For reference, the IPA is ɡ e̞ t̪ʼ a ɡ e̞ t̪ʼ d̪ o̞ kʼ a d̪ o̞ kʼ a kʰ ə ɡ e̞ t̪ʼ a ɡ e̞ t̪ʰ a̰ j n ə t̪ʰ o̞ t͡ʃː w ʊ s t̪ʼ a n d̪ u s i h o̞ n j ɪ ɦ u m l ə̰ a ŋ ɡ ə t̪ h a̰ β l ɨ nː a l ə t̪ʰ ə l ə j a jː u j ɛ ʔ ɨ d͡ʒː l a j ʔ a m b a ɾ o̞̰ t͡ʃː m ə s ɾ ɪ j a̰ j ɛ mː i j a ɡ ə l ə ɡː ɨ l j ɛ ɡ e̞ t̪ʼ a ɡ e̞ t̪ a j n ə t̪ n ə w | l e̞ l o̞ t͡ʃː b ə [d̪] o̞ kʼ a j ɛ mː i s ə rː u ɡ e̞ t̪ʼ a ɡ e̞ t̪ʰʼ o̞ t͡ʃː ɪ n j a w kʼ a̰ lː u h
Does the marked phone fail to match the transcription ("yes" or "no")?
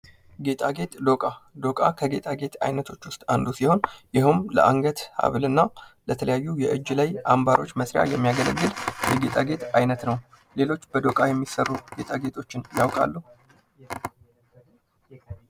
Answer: no